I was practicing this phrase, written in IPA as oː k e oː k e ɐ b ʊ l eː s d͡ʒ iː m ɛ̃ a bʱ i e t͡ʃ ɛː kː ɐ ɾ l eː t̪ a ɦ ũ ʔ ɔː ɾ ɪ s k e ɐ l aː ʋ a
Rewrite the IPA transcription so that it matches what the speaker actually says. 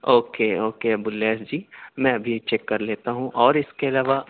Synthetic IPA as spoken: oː k e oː k e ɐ b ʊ l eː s d͡ʒ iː m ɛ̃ ɐ bʱ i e t͡ʃ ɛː kː ɐ ɾ l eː t̪ a ɦ ũ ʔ ɔː ɾ ɪ s k e ɐ l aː ʋ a